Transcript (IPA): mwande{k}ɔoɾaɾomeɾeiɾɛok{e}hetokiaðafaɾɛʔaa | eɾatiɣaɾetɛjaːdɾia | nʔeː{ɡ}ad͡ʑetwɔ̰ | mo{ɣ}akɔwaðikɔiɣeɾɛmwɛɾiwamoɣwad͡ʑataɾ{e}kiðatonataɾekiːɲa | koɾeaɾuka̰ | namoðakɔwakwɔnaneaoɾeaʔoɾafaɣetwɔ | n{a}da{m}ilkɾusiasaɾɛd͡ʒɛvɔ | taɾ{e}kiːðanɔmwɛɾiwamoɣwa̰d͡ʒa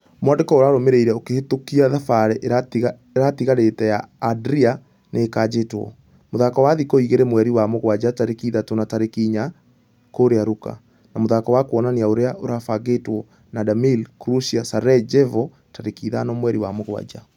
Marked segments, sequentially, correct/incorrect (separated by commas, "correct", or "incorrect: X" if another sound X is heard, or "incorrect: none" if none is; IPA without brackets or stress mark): correct, correct, incorrect: k, incorrect: ð, correct, correct, correct, correct